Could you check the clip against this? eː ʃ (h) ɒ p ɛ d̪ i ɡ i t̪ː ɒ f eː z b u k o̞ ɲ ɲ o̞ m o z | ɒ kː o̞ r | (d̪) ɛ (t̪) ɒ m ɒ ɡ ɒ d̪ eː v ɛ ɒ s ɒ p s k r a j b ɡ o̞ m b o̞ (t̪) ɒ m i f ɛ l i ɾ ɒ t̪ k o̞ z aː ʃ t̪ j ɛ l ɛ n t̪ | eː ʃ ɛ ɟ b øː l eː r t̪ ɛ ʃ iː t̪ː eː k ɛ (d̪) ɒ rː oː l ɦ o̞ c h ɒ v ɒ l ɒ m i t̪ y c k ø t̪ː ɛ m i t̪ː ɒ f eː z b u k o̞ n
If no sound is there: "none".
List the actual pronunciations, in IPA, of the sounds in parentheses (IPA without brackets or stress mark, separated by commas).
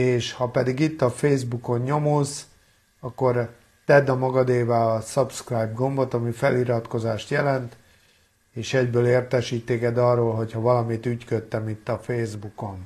h, t̪, d̪, t̪, d̪